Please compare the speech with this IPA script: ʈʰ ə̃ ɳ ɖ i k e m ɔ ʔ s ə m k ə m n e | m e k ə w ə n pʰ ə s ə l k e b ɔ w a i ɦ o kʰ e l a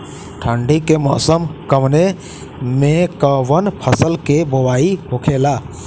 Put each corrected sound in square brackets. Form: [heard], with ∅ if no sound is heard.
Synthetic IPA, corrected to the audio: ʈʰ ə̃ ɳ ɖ i k e m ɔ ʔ s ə m k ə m n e | m e k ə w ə n pʰ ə s ə l k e b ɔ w a i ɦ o kʰ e l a